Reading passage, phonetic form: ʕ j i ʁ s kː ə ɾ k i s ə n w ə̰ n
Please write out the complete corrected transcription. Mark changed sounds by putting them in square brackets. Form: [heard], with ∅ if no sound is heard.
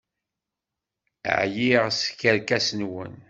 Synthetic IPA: ʕ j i ʁ s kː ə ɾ k [æ] s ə n w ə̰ n

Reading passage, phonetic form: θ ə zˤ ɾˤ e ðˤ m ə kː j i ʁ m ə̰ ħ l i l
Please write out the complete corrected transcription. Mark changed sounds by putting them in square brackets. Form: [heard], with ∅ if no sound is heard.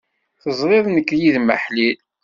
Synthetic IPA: θ ə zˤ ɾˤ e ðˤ [n] ə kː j i [ð] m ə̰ ħ l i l

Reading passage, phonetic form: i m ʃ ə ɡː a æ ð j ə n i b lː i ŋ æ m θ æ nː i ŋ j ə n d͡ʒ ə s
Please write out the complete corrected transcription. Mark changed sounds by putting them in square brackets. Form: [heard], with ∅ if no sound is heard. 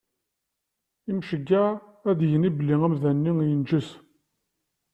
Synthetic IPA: i m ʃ ə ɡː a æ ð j ə n i b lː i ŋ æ m [ð] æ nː i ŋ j ə n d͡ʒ ə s

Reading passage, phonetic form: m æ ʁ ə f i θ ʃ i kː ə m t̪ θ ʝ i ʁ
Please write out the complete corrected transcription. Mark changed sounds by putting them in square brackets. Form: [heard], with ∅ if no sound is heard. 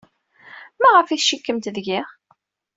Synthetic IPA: m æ ʁ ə f i θ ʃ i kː ə m t̪ [ð] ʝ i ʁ

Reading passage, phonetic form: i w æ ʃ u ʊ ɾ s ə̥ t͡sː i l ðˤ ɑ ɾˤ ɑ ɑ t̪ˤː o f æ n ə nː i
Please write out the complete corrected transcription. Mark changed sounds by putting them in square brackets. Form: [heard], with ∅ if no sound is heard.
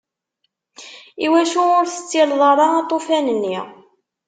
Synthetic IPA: i w æ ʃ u ʊ ɾ [θ] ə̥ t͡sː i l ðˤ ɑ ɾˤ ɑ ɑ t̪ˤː o f æ n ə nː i

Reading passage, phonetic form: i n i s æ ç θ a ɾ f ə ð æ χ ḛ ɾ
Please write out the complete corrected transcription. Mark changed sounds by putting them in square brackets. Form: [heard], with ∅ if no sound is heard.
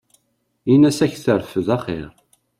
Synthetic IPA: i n [æ] s æ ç θ [ə] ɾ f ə ð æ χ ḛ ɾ

